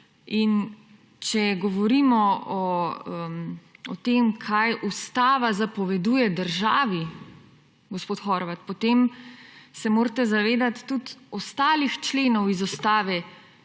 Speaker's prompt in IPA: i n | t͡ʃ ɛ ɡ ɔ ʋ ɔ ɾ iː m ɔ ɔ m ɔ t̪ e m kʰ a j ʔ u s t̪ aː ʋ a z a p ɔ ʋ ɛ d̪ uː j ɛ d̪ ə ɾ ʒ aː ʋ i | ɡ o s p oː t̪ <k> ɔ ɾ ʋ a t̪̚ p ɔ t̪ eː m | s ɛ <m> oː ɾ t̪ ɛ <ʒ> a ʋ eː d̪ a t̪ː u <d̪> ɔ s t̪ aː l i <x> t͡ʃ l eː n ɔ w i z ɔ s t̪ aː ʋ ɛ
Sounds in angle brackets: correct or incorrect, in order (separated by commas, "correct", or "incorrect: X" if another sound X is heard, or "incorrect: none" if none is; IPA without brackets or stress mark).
incorrect: x, correct, incorrect: z, incorrect: t̪, correct